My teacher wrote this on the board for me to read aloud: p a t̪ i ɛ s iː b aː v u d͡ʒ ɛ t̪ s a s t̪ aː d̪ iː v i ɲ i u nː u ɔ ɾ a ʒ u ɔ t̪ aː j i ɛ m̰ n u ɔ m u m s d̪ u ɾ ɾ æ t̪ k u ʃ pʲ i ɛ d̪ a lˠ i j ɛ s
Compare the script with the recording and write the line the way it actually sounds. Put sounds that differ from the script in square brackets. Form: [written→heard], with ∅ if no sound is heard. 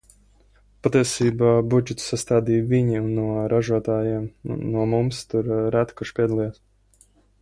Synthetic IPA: p a t̪ i ɛ s iː b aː [v→b] u d͡ʒ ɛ t̪ s a s t̪ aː d̪ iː v i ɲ i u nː u ɔ ɾ a ʒ u ɔ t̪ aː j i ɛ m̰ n u ɔ m u m s [d̪→t̪] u ɾ ɾ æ t̪ k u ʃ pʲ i ɛ d̪ a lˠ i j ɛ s